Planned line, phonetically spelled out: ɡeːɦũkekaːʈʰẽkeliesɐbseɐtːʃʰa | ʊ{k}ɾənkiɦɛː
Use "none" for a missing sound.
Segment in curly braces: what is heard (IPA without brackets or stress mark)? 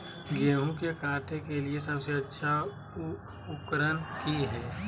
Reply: k